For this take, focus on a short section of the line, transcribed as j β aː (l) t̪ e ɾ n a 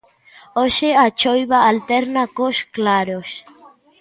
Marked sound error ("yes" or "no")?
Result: no